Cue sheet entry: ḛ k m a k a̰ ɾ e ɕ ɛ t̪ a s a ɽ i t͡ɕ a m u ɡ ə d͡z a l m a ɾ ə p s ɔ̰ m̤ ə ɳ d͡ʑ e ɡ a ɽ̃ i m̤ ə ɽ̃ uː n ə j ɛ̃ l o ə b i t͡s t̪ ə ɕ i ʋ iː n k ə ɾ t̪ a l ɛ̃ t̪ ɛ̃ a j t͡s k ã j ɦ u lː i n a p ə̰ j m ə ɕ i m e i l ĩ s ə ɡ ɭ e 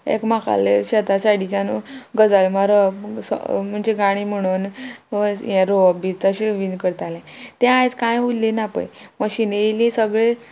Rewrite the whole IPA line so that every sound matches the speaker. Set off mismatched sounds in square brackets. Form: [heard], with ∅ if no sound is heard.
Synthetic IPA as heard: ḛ k m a k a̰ [l] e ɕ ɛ t̪ a s a ɽ i t͡ɕ a [n] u ɡ ə d͡z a l m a ɾ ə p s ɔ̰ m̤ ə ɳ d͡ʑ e ɡ a ɽ̃ i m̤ ə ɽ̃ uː n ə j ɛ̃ [ɾ] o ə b i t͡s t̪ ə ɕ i ʋ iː n k ə ɾ t̪ a l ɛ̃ t̪ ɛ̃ a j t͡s k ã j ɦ u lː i n a p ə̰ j m ə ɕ i [n] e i l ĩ s ə ɡ ɭ e

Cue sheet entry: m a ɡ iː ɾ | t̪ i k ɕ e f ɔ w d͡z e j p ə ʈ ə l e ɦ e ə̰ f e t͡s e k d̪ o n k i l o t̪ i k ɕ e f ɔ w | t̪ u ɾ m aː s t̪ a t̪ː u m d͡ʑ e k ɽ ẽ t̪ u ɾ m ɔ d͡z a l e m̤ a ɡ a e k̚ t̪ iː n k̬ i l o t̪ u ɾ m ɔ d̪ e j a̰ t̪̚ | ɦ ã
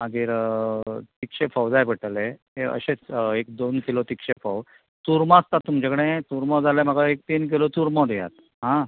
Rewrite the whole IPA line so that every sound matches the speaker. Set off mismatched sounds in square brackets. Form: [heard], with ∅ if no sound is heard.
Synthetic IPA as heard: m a ɡ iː ɾ | t̪ i k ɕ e f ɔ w d͡z [a] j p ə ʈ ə l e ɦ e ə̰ [ɕ] e t͡s e k d̪ o n k i l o t̪ i k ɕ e f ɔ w | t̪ u ɾ m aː s t̪ a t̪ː u m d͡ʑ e k ɽ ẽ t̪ u ɾ m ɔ d͡z a l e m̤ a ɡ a e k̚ t̪ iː n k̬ i l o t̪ u ɾ m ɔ d̪ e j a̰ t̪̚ | ɦ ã

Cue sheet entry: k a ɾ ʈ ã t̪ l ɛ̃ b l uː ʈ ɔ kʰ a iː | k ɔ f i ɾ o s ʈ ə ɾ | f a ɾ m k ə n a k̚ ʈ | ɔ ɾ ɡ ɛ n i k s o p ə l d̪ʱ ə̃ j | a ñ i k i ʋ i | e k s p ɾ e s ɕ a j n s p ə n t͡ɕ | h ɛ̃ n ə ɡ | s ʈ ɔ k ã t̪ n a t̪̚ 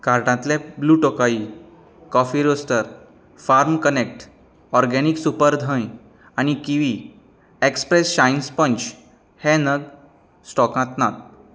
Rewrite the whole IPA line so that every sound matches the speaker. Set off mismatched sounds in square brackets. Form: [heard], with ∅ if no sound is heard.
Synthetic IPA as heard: k a ɾ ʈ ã t̪ l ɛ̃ b l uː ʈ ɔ [k] a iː | k ɔ f i ɾ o s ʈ ə ɾ | f a ɾ m k ə n [e] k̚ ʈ | ɔ ɾ ɡ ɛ n i k s [u] p ə [ɾ] d̪ʱ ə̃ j | a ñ i k i ʋ i | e k s p ɾ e s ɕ a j n s p ə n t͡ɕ | h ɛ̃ n ə ɡ | s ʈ ɔ k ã t̪ n a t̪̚

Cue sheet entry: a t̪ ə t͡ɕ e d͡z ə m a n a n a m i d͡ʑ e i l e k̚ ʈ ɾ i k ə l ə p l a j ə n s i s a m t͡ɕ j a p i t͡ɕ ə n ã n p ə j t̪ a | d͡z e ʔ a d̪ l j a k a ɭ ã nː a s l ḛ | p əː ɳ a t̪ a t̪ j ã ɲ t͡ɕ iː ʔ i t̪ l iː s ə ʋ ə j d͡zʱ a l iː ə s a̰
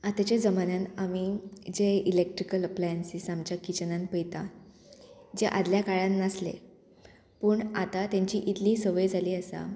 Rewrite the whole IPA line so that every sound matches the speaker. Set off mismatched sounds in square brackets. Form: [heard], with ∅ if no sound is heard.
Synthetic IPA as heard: a t̪ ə t͡ɕ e d͡z ə m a n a n a m i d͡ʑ e i l e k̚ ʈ ɾ i k ə l ə p l a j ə n s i s a m t͡ɕ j a [k] i t͡ɕ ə n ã n p ə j t̪ a | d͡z e ʔ a d̪ l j a k a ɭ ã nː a s l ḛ | p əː ɳ a t̪ a t̪ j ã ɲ t͡ɕ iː ʔ i t̪ l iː s ə ʋ ə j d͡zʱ a l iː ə s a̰

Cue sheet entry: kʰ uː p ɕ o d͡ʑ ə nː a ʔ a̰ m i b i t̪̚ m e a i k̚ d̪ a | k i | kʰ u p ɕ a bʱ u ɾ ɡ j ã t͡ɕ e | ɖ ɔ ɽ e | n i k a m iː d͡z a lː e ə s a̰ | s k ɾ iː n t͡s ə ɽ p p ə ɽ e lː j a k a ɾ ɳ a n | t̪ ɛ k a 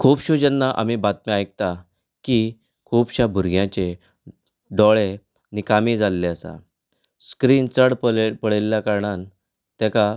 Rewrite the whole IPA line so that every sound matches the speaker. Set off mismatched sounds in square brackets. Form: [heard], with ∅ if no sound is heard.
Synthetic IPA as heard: kʰ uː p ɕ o d͡ʑ ə nː a ʔ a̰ m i b [a] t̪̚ m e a [j] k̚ [t̪] a | k i | kʰ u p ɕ a bʱ u ɾ ɡ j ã t͡ɕ e | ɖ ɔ [ɭ] e | n i k a m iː d͡z a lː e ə s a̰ | s k ɾ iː n t͡s ə ɽ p p ə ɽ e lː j a k a ɾ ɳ a n | t̪ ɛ k a

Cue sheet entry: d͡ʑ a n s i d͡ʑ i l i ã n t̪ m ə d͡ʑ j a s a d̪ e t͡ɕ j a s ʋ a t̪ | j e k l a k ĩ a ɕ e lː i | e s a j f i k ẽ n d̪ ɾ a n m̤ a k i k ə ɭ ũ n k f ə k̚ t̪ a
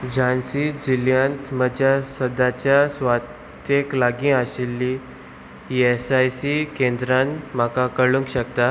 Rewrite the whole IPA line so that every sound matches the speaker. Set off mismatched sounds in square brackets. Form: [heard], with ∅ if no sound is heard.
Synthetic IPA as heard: d͡ʑ a n s i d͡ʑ i l [j] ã n t̪ m ə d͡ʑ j a s [ə] d̪ [a] t͡ɕ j a s ʋ a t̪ | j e k l a [ɡ] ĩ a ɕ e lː i | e s a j [s] i k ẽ n d̪ ɾ a n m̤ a k [a] k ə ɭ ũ [ŋ] k [ɕ] ə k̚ t̪ a

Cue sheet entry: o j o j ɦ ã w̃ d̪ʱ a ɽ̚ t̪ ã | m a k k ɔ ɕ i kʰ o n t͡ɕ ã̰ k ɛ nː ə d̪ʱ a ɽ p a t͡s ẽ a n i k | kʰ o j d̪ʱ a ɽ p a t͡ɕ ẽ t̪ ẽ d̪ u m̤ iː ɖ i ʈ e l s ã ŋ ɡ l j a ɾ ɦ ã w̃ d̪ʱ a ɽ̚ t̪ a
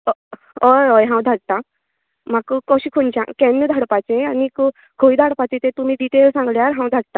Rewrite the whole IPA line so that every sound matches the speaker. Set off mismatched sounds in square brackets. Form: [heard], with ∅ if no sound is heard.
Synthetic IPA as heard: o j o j ɦ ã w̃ d̪ʱ a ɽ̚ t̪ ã | m a k k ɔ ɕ i kʰ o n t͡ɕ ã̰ k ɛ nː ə d̪ʱ a ɽ p a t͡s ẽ a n i k | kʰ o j d̪ʱ a ɽ p a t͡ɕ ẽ t̪ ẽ [t̪] u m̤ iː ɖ i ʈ e l s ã ŋ ɡ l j a ɾ ɦ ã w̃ d̪ʱ a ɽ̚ t̪ a

